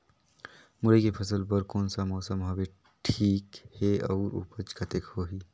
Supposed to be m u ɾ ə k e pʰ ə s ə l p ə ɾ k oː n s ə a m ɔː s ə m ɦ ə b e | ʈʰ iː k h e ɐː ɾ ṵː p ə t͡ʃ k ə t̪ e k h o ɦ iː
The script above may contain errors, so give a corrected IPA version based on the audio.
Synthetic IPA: m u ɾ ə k e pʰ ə s ə l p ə ɾ k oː n s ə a m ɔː s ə m ɦ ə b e | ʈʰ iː k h e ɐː ɾ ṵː p ə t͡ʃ k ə t̪ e k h o ɦ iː